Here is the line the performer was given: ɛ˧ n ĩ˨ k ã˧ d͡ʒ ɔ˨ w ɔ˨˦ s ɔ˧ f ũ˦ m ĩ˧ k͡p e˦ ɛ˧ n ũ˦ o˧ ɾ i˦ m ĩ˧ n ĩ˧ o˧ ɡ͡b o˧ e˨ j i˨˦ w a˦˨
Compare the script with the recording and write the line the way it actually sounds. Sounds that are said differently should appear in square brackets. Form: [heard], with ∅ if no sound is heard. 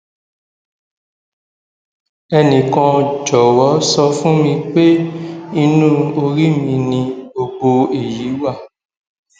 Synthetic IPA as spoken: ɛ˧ n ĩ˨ k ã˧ d͡ʒ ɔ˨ w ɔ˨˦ s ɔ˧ f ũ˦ m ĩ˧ k͡p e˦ [i˧] n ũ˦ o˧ ɾ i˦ m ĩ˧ n ĩ˧ o˧ ɡ͡b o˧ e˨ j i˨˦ w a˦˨